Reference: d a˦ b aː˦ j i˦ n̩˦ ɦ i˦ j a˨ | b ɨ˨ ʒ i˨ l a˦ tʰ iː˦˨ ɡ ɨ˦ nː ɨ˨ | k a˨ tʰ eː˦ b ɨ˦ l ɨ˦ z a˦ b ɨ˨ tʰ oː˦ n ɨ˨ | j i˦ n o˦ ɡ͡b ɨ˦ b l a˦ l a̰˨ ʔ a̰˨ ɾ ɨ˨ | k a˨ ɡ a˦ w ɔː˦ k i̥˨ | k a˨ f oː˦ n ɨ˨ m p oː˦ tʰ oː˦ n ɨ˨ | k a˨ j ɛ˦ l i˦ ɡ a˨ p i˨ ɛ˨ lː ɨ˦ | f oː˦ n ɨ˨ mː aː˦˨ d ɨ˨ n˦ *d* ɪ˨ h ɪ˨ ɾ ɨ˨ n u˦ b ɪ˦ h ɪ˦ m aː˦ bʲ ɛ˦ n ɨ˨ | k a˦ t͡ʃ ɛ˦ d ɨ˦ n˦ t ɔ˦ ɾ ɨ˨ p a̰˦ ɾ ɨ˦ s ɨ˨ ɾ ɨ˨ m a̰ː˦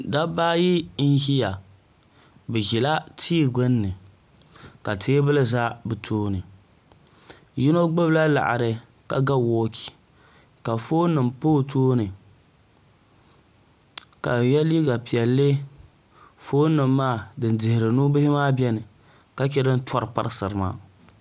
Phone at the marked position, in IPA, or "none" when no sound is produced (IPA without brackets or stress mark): d